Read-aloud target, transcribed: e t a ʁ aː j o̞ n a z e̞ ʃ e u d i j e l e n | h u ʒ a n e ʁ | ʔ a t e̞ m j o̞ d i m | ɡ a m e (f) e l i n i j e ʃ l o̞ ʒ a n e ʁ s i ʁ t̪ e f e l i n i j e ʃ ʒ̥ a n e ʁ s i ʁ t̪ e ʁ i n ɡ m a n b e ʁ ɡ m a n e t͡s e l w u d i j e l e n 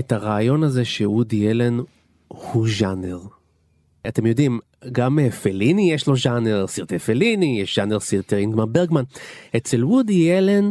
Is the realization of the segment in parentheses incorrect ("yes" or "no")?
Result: no